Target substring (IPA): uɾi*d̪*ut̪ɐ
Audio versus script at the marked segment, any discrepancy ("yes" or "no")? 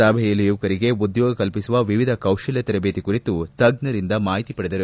yes